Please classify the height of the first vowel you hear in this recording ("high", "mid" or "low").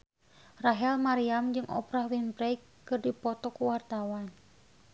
low